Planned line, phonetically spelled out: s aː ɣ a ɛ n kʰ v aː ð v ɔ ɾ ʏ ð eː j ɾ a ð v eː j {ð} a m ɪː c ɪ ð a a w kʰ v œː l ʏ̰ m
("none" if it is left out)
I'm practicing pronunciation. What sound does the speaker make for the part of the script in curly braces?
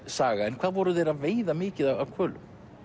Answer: ð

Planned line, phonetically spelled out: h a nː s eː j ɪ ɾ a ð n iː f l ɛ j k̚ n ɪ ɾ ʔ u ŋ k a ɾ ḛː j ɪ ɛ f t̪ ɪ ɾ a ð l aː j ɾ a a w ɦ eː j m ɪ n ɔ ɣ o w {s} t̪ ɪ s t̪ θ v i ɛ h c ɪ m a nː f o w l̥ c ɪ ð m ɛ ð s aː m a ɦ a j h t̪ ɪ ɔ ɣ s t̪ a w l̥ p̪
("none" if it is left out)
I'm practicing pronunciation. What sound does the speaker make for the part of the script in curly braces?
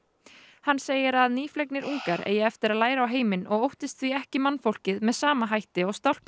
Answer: h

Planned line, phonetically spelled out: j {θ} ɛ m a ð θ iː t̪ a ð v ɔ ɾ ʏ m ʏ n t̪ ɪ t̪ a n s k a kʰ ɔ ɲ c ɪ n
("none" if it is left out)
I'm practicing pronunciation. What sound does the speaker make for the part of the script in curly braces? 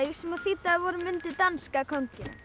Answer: s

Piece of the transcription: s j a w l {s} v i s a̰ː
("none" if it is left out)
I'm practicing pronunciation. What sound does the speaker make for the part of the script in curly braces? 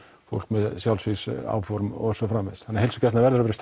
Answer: s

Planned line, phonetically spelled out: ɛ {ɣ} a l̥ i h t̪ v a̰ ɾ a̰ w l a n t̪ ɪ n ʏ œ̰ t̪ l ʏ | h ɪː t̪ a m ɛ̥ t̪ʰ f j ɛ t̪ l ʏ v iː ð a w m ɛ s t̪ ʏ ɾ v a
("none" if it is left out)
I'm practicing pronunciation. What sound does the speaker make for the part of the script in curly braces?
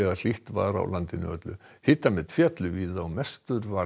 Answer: ɣ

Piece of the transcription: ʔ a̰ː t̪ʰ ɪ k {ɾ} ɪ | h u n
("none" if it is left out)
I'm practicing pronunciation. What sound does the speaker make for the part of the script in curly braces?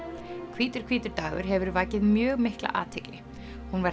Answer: l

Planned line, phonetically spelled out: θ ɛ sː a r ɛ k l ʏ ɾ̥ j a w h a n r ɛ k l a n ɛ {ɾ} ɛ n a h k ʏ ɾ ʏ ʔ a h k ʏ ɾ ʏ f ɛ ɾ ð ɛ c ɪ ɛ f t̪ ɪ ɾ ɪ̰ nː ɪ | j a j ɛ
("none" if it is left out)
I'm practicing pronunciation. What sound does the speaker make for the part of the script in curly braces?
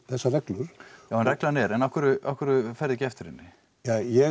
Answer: ɾ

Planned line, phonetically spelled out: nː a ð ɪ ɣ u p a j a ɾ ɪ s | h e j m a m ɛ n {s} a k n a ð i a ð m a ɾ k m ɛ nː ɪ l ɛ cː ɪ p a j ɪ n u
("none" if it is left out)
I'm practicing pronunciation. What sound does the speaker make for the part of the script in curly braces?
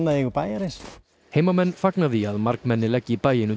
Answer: f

